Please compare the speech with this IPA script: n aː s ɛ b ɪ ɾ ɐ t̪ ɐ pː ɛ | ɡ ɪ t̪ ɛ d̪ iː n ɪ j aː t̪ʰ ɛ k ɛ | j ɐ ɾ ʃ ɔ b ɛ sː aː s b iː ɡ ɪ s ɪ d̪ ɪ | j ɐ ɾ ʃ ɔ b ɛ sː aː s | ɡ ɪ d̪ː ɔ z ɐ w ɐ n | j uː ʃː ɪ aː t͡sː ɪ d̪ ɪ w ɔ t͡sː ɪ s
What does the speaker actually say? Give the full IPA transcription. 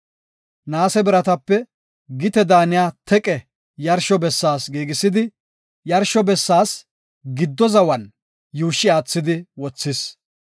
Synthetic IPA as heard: n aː s ɛ b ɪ ɾ ɐ t̪ ɐ pː ɛ | ɡ ɪ t̪ ɛ d̪ aː n ɪ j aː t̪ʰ ɛ kʼ ɛ | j ɐ ɾ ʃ ɔ b ɛ sː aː s ɡ iː ɡ ɪ s ɪ d̪ ɪ | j ɐ ɾ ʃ ɔ b ɛ sː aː s | ɡ ɪ d̪ː ɔ z ɐ w ɐ n | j uː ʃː ɪ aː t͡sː ɪ d̪ ɪ w ɔ t͡sː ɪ s